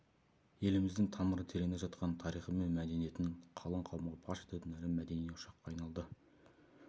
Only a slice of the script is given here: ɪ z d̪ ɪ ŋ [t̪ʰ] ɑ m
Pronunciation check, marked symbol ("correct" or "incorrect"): correct